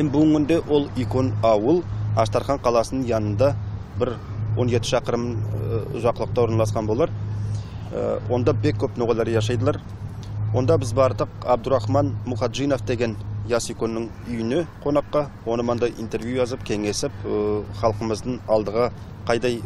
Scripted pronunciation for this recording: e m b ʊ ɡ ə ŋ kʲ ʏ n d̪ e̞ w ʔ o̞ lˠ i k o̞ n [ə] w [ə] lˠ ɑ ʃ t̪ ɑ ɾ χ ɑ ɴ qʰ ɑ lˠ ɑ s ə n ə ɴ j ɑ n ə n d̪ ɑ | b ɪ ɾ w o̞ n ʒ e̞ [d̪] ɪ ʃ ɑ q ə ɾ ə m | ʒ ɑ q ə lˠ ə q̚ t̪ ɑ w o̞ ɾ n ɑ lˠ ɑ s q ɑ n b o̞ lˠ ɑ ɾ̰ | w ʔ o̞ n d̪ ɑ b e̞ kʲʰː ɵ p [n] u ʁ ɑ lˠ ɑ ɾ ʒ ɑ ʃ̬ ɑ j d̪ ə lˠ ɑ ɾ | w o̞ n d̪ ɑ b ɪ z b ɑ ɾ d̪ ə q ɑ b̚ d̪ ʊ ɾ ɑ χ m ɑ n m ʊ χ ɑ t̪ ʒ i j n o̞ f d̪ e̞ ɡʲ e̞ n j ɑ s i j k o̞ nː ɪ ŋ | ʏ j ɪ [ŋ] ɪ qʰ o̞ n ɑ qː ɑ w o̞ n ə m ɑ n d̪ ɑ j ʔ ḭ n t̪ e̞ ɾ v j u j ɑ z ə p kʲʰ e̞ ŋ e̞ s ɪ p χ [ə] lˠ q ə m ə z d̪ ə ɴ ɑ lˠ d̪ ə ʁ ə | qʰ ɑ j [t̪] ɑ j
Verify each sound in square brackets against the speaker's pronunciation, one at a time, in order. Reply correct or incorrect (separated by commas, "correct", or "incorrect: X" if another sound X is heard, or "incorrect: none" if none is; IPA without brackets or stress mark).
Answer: incorrect: ɑ, correct, incorrect: t̪, correct, incorrect: n, incorrect: ɑ, incorrect: d̪